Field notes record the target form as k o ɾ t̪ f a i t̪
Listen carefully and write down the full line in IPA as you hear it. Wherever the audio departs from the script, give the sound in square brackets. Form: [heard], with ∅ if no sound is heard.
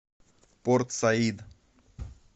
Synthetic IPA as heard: [p] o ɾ t̪ [s] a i [d̪]